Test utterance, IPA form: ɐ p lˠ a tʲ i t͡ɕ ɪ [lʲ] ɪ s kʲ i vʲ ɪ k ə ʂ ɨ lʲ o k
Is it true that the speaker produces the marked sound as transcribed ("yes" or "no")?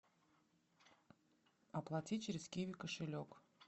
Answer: no